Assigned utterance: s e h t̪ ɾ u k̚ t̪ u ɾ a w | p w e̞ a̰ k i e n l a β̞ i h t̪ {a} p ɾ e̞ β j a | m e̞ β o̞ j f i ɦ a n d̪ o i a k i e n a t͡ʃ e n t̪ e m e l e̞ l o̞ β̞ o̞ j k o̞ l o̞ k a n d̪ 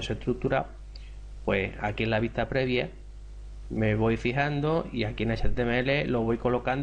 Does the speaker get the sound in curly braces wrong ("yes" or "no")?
no